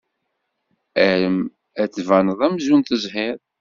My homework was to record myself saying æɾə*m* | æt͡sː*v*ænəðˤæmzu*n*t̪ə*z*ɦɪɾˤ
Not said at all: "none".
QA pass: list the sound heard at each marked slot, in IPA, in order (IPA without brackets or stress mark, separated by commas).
m, v, n, z